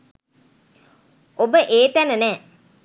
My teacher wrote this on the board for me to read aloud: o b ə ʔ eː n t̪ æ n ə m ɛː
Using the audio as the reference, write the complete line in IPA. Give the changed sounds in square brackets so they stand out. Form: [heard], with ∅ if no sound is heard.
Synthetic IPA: o b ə ʔ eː [∅] t̪ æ n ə [n] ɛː